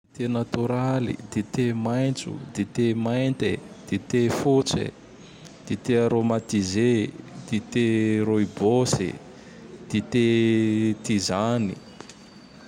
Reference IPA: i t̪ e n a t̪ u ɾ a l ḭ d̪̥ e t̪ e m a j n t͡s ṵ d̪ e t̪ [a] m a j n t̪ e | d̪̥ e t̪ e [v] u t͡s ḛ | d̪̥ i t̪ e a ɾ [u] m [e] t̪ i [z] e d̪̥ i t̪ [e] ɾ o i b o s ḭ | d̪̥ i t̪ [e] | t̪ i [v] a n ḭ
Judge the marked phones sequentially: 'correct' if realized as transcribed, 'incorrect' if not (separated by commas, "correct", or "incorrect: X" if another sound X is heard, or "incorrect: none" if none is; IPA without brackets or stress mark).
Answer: incorrect: e, incorrect: f, incorrect: o, incorrect: a, correct, correct, correct, incorrect: z